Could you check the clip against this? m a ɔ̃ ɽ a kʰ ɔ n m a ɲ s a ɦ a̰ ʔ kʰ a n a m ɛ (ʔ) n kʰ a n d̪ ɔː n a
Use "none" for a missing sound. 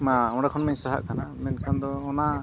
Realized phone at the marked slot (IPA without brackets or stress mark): none